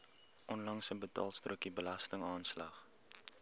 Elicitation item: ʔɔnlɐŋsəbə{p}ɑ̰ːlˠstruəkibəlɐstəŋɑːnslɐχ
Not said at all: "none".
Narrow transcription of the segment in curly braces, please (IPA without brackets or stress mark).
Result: t